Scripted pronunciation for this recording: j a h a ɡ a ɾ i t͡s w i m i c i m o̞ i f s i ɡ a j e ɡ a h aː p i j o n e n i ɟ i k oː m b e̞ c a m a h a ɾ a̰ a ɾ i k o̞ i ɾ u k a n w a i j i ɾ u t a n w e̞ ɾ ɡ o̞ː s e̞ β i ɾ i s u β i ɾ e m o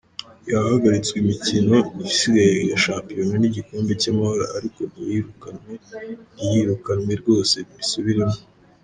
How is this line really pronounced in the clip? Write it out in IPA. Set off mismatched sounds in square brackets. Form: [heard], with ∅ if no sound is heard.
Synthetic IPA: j a h a ɡ a ɾ i t͡s w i m i c i [n] o̞ i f s i ɡ a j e ɡ a [ʃ] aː p i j o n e n i ɟ i k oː m b e̞ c a m a h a ɾ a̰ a ɾ i k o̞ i ɾ u k a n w [e] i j i ɾ u [k] a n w e̞ ɾ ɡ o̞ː s e̞ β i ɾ i s u β i ɾ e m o